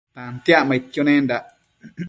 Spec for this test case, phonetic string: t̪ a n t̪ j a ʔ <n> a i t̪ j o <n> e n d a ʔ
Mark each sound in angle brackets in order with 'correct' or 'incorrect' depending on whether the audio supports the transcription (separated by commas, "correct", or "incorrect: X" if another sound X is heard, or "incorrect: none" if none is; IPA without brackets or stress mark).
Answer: incorrect: m, correct